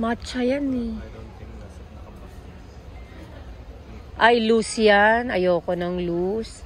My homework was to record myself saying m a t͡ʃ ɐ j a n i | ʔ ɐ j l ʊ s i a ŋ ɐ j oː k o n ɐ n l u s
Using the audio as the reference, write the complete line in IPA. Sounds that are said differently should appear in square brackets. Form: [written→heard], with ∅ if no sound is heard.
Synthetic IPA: m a t͡ʃ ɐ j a n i | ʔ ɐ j l [ʊ→u] s [i→j] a [ŋ→n] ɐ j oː k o n ɐ [n→ŋ] l u s